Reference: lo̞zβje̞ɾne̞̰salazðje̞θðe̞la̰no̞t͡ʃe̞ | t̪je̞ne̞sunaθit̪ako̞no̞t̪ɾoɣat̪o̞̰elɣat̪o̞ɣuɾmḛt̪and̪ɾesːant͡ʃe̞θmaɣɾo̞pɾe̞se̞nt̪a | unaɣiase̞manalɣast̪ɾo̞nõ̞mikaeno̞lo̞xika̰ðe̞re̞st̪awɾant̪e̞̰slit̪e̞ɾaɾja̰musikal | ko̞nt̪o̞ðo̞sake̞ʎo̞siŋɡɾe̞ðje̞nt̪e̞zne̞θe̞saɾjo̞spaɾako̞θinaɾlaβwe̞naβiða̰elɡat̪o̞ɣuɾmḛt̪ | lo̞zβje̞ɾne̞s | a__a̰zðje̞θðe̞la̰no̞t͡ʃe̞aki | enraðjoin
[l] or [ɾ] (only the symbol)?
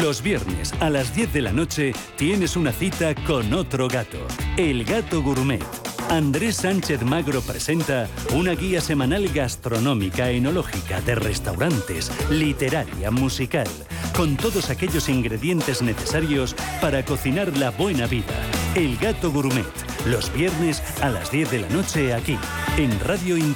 l